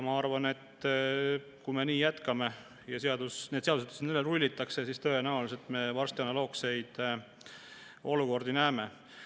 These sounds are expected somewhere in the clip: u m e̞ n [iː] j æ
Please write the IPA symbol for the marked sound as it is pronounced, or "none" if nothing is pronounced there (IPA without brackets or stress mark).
iː